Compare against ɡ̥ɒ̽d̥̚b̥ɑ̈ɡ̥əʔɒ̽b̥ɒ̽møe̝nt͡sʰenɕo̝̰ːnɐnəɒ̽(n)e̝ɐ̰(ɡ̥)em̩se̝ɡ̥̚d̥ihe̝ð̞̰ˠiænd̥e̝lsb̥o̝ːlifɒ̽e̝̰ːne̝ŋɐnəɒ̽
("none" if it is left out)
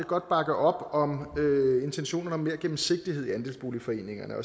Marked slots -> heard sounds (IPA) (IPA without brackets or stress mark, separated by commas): m, ɡ̥